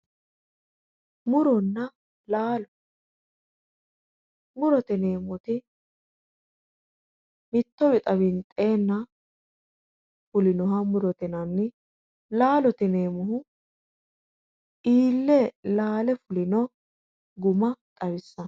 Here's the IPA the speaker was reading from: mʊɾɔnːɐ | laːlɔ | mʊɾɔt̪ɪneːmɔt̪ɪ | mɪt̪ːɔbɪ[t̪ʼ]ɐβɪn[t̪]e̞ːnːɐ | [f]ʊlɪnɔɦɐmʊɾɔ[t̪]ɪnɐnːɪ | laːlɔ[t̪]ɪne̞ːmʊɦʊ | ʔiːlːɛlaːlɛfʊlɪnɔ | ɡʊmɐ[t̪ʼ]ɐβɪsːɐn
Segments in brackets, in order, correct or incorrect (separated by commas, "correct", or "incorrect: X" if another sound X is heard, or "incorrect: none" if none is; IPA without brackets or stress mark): correct, incorrect: t̪ʼ, correct, correct, correct, correct